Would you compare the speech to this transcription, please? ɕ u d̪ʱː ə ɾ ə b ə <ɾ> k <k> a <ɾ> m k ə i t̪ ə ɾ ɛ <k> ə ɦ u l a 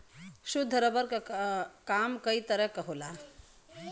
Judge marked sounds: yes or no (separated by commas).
yes, yes, no, yes